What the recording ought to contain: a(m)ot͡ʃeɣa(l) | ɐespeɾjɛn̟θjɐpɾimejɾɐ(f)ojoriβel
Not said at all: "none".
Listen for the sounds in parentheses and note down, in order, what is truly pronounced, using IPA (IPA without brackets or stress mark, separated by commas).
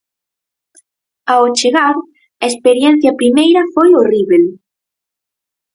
none, ɾ, f